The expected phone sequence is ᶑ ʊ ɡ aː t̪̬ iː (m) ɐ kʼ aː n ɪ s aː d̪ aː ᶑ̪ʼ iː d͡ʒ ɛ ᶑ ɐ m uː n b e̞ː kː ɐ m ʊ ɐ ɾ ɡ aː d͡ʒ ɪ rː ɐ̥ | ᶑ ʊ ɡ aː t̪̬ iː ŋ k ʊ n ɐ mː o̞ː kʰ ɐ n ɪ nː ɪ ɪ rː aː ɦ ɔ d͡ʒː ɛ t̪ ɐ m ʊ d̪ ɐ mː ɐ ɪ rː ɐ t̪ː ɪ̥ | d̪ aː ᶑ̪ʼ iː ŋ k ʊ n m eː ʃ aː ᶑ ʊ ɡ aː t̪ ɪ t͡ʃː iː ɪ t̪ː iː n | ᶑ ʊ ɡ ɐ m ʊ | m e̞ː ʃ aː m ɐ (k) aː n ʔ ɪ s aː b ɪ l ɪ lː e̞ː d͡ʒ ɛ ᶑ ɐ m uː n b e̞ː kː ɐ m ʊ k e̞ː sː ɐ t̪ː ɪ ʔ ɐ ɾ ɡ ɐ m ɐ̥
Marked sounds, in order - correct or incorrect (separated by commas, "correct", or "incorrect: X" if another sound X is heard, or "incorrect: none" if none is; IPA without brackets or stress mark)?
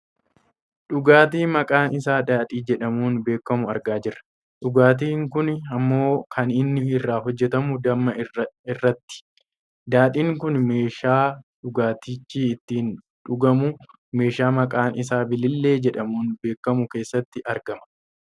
correct, incorrect: kʼ